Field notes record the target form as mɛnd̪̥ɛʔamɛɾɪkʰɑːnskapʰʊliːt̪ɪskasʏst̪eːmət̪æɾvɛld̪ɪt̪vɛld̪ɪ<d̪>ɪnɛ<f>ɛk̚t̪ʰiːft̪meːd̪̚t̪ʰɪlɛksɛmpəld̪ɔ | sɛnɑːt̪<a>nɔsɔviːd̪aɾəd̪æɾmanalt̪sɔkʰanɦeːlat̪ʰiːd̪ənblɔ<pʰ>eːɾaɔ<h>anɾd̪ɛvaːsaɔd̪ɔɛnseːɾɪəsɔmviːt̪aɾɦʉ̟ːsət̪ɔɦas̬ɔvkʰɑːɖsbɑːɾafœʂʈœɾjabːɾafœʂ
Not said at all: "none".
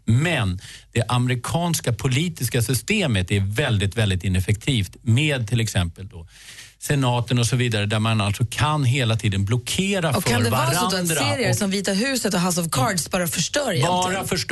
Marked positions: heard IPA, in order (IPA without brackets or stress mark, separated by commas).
t̪, f, ə, kʰ, f